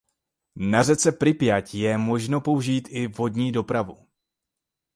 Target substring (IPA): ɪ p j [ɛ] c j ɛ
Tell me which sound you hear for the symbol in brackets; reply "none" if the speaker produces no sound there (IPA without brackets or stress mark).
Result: a